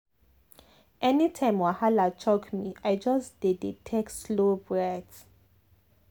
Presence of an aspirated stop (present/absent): present